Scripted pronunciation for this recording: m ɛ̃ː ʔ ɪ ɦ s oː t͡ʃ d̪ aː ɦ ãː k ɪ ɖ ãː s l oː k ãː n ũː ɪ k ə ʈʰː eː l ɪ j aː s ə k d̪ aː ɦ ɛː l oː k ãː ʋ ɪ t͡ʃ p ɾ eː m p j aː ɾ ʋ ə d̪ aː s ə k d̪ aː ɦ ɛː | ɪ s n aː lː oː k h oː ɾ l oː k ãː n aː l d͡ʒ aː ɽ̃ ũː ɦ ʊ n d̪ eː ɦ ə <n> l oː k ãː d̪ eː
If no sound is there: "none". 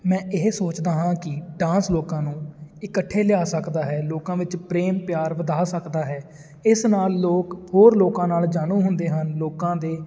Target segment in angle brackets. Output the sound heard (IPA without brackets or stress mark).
n